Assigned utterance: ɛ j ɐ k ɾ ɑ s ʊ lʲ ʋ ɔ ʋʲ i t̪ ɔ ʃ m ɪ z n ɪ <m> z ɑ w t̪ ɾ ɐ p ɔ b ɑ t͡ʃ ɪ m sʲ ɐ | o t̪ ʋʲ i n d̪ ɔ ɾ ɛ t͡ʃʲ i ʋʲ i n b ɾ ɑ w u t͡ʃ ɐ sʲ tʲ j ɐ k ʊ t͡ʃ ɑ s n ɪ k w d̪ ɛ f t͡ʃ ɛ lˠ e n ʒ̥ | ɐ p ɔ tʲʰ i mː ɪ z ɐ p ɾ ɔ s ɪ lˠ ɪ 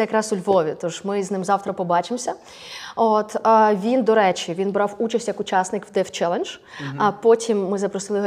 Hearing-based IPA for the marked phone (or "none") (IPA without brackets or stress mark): m